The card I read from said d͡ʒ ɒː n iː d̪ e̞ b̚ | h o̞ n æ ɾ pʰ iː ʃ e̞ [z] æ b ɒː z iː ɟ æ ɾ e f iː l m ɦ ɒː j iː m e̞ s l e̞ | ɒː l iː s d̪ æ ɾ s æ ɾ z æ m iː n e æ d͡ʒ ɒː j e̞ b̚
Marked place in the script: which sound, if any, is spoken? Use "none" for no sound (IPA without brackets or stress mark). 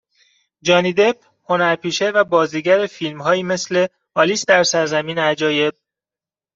v